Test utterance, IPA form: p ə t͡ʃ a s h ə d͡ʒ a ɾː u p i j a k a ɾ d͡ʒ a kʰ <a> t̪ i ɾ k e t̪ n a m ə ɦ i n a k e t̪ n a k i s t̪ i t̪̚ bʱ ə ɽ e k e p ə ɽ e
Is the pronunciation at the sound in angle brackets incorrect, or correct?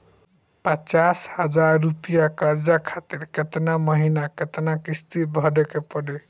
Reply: correct